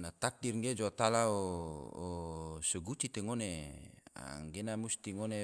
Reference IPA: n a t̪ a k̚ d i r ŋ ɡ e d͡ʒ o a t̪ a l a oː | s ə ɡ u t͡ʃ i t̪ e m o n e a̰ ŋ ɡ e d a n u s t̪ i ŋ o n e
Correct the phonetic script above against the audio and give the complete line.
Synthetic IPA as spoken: n a t̪ a k̚ d i r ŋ ɡ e d͡ʒ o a t̪ a l a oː | s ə ɡ u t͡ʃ i t̪ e ŋ o n e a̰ ŋ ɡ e n a m u s t̪ i ŋ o n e